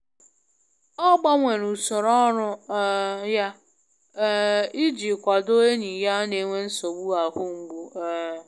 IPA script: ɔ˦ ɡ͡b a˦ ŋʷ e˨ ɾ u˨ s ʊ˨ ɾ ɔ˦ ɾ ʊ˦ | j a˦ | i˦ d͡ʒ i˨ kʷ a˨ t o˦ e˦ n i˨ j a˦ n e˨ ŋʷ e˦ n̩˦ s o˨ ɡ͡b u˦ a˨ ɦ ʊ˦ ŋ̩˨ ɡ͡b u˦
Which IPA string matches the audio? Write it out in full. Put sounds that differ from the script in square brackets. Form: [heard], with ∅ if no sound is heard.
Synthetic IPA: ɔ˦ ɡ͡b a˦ ŋʷ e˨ ɾ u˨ s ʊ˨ ɾ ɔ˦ ɾ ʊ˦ | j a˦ | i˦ d͡ʒ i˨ kʷ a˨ [d] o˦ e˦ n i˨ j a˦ n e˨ ŋʷ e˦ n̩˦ s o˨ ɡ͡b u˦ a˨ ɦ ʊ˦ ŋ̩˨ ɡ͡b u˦

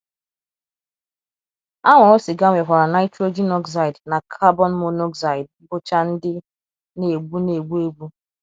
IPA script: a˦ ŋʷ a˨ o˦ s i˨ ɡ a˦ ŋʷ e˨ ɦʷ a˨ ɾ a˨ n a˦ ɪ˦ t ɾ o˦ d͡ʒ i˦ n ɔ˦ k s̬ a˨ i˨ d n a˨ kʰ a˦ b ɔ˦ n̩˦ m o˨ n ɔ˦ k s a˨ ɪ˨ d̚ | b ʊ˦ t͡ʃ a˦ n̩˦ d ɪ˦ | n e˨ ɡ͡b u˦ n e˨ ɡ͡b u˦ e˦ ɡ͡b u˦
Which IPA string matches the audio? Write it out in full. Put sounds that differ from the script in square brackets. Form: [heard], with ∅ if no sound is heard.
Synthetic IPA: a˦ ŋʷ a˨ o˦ s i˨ ɡ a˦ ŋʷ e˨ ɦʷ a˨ ɾ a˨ n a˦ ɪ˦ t ɾ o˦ d͡ʒ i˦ n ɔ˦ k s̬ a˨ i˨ d n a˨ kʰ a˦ b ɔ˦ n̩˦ m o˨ n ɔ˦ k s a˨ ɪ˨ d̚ | b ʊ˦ t͡ʃ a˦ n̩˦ d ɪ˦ | n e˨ ɡ͡b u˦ n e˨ ɡ͡b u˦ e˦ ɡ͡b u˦

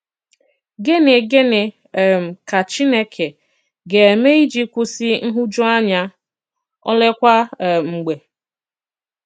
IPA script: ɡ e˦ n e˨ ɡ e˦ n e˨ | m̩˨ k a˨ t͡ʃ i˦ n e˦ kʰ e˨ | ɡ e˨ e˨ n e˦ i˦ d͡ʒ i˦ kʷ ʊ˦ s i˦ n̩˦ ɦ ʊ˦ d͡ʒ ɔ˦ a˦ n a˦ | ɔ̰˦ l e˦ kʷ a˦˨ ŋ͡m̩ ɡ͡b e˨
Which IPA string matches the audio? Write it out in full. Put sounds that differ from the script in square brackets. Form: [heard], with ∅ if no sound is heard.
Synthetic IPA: ɡ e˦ n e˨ ɡ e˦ n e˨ | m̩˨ k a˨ t͡ʃ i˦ n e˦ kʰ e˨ | ɡ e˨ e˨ [m] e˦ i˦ d͡ʒ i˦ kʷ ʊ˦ s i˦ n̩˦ ɦ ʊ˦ d͡ʒ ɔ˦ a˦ [ɲ] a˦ | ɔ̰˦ l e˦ kʷ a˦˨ ŋ͡m̩ ɡ͡b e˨

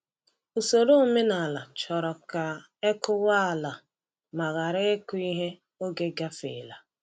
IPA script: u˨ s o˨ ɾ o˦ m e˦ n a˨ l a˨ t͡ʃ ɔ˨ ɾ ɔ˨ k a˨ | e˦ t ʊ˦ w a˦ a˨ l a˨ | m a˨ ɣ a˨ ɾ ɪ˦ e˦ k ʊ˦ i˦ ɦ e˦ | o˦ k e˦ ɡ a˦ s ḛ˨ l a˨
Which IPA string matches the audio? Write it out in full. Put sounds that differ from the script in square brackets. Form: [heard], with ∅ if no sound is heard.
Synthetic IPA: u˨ s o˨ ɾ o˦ m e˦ n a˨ l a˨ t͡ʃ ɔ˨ ɾ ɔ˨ k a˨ | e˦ [k] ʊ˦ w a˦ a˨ l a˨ | m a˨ ɣ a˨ ɾ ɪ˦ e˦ k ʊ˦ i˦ ɦ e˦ | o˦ [ɡ] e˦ ɡ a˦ [f] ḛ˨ l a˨

